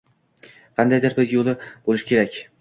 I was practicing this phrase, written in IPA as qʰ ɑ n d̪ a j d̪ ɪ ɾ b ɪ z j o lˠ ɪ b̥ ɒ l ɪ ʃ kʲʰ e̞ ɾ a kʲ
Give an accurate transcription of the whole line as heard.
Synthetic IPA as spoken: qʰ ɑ n d̪ a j d̪ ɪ ɾ b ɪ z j o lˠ ɪ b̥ o l ɪ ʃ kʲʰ e̞ ɾ a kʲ

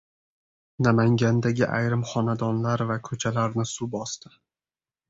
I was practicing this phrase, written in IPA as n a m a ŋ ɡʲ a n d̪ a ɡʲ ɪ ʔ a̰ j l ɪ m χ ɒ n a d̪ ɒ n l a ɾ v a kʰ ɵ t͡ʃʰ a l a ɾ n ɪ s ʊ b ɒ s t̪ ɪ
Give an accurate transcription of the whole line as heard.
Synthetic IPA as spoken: n a m a ŋ ɡʲ a n d̪ a ɡʲ ɪ ʔ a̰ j ɾ ɪ m χ ɒ n a d̪ ɒ n l a ɾ v a kʰ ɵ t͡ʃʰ a l a ɾ n ɪ s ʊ b ɒ s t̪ ɪ

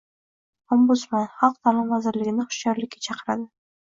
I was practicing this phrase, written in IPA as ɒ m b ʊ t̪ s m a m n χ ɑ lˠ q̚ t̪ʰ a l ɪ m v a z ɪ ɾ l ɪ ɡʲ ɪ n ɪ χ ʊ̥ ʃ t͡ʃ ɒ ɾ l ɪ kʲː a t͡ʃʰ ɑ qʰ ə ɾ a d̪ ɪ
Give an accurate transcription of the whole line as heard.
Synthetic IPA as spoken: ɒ m b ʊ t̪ s m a n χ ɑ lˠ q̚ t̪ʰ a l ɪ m v a z ɪ ɾ l ɪ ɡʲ ɪ n ɪ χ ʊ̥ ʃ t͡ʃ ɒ ɾ l ɪ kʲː a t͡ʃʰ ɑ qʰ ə ɾ a d̪ ɪ

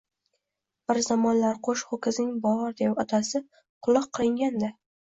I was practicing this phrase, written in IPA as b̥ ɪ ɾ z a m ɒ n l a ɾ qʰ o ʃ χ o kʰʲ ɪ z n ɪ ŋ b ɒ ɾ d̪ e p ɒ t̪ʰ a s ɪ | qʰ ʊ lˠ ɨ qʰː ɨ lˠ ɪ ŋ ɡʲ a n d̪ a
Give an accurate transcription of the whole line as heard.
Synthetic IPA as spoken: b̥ ɪ ɾ z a m ɒ n l a ɾ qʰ o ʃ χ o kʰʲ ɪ z n ɪ ŋ b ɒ ɾ d̪ e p ɒ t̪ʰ a s ɪ | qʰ ʊ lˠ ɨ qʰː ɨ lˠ ɪ ŋ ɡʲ a n d̪ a

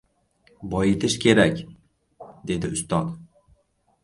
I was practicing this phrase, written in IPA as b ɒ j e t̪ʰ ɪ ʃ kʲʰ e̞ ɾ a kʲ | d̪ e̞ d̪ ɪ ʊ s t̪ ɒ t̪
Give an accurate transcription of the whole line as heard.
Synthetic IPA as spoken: b ɒ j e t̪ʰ ɪ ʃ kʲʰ e̞ ɾ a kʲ | d̪ e̞ d̪ ɪ ʊ s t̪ ɒ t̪

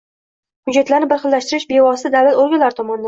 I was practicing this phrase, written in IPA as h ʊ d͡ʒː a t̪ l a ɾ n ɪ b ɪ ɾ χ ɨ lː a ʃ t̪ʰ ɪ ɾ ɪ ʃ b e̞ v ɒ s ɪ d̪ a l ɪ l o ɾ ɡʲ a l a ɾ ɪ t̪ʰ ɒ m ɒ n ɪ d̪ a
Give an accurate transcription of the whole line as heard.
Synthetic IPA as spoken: h ʊ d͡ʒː a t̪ l a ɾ n ɪ b ɪ ɾ χ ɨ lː a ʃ t̪ ɪ ɾ ɪ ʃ b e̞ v ɒ s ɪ d̪ a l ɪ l o ɾ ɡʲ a l a ɾ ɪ t̪ʰ ɒ m ɒ n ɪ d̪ a

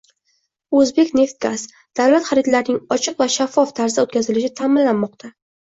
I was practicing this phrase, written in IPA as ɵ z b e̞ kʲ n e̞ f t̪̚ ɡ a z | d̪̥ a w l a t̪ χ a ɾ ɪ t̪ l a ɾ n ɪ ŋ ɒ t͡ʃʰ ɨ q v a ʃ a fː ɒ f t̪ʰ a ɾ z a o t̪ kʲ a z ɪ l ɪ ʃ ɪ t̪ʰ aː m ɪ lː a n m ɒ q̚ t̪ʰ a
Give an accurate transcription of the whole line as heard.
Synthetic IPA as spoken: ɵ z b e̞ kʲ n e̞ f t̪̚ ɡ a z | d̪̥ a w l a t̪ χ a ɾ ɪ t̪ l a ɾ n ɪ ŋ ɒ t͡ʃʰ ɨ q v a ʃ a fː ɒ f t̪ʰ a ɾ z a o t̪ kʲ a z ɪ l ɪ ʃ ɪ t̪ʰ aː m ɪ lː a n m ɒ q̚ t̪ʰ a

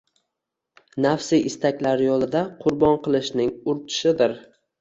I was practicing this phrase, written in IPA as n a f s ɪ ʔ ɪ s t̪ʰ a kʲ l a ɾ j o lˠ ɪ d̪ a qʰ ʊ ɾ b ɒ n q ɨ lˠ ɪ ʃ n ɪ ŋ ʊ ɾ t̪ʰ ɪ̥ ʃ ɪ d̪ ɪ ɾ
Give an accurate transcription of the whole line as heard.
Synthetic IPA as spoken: n a f s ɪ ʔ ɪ s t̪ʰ a kʲ l a ɾ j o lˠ ɪ d̪ a qʰ ʊ ɾ b ɒ n q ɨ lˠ ɪ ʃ n ɪ ŋ ʊ ɾ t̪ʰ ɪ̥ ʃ ɪ d̪ ɪ ɾ

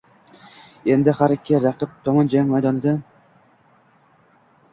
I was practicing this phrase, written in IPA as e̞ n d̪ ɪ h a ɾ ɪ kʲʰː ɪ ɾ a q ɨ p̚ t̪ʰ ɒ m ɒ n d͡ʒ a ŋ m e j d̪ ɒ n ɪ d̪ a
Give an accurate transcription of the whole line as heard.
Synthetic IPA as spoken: e̞ n d̪ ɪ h a ɾ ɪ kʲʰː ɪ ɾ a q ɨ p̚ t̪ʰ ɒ m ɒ n d͡ʒ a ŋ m a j d̪ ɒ n ɪ d̪ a

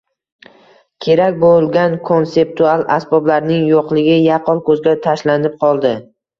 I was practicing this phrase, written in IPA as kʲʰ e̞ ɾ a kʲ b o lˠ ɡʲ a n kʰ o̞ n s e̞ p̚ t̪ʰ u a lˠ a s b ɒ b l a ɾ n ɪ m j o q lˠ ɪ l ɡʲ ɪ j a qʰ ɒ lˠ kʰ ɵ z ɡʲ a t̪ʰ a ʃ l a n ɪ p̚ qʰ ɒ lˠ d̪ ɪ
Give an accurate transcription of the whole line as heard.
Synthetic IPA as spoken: kʲʰ e̞ ɾ a kʲ b o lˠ ɡʲ a n kʰ o̞ n s e̞ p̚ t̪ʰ u a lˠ a s b ɒ b l a ɾ n ɪ ŋ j o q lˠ ɪ ɡʲ ɪ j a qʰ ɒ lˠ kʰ ɵ z ɡʲ a t̪ʰ a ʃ l a n ɪ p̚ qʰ ɒ lˠ d̪ ɪ

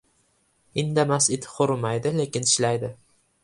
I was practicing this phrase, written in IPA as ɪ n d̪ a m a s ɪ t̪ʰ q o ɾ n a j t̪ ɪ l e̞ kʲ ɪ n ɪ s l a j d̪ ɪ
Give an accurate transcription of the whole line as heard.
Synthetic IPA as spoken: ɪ n d̪ a m a s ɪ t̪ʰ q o ɾ m a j d̪ ɪ l e̞ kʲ ɪ n ɪ ʃ l a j d̪ ɪ

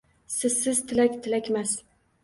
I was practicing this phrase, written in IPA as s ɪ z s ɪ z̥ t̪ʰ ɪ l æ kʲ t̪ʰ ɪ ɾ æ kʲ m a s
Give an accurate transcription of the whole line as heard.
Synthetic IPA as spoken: s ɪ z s ɪ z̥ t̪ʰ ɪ l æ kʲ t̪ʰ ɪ l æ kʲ m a s

